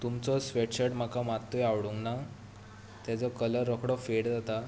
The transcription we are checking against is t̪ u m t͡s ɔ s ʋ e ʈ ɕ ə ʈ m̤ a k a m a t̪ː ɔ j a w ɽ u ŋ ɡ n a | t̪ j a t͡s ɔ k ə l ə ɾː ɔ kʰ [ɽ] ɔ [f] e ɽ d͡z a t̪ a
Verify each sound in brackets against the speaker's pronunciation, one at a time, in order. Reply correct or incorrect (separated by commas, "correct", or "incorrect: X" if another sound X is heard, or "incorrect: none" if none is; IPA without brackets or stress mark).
correct, correct